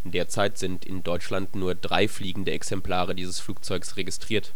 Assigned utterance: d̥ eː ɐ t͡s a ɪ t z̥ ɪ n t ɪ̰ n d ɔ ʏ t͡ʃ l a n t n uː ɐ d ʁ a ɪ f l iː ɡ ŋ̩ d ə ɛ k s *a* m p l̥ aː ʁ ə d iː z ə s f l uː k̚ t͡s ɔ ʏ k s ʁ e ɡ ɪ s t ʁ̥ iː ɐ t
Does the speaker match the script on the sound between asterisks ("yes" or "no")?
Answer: no